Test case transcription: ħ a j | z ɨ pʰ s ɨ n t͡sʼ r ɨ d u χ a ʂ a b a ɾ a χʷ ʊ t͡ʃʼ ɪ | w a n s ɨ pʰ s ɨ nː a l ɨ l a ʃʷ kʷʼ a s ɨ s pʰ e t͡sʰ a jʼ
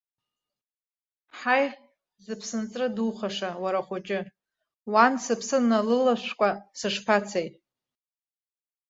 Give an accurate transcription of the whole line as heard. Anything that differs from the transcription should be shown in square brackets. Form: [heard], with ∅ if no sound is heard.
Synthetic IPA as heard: ħ a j | z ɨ pʰ s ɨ n t͡sʼ r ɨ d u χ a ʂ a [w] a ɾ a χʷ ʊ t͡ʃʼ ɪ | w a n s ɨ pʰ s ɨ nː a l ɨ l a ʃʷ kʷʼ a s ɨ [ʂ] pʰ [a] t͡sʰ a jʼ